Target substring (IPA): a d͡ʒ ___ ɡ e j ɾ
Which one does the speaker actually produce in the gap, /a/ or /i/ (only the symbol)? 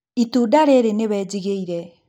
i